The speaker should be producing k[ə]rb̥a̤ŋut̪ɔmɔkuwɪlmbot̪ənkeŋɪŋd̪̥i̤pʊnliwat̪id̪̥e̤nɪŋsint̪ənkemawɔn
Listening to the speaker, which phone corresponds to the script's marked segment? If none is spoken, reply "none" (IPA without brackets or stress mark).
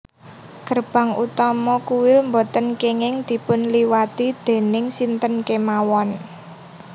ə